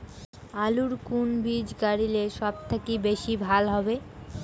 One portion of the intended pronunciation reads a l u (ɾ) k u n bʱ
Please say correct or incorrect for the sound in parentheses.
correct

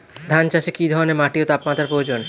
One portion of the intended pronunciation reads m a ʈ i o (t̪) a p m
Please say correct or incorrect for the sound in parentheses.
correct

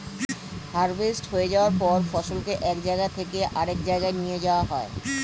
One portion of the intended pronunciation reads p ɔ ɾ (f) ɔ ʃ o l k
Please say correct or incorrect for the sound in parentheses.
correct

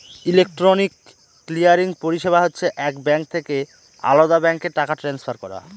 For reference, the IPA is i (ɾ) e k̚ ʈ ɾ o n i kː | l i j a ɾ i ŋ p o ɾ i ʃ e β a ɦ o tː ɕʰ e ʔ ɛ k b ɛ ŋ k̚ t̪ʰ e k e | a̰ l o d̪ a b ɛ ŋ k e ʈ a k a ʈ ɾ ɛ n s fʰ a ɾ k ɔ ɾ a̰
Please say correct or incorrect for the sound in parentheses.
incorrect: l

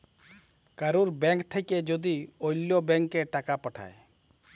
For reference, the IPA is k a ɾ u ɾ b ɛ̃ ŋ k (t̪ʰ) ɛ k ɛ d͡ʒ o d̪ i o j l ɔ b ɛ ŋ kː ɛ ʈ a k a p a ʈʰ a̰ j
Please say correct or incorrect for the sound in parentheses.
correct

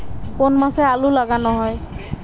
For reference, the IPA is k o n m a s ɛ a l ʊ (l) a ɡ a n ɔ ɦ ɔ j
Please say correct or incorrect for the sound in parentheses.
correct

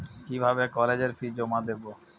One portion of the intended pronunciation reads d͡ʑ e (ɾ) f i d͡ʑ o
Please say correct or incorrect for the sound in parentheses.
correct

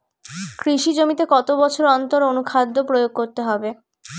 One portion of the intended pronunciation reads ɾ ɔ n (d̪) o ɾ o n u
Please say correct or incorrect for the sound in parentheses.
incorrect: t̪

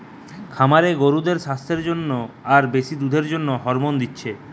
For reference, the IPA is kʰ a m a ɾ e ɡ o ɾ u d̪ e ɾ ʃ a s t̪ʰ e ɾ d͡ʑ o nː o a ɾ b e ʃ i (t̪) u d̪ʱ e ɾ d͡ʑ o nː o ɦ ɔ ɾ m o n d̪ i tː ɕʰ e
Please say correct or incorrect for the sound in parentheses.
incorrect: d̪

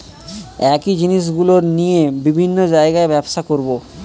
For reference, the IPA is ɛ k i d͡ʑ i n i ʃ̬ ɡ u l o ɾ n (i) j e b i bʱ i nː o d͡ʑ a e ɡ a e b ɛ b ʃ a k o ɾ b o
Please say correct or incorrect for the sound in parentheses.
correct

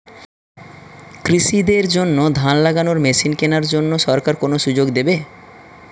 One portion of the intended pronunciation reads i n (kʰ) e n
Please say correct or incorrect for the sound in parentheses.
incorrect: k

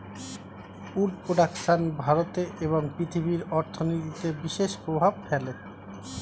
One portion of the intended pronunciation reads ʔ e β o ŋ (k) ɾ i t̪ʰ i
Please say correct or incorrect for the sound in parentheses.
incorrect: p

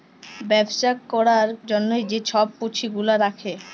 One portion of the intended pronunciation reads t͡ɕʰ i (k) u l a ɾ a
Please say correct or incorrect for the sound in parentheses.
incorrect: ɡ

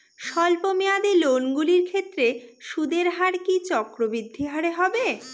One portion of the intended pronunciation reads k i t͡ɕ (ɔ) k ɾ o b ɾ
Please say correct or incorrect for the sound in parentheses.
correct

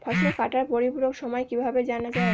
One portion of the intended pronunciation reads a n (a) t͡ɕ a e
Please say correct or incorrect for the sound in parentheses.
correct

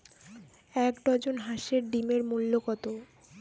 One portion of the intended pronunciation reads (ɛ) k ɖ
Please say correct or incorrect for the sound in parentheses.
correct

